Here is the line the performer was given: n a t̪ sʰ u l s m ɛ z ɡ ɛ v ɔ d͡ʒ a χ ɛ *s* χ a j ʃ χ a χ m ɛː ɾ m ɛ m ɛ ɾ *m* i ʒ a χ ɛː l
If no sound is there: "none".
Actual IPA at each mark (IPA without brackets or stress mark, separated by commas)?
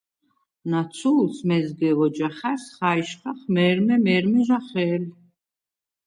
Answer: s, m